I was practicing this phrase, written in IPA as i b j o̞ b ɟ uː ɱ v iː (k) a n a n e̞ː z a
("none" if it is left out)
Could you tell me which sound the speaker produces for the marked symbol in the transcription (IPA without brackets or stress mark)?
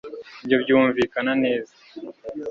k